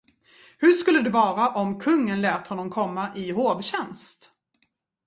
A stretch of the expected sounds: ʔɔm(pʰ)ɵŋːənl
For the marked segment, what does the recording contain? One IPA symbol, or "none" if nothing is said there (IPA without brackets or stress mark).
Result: kʰ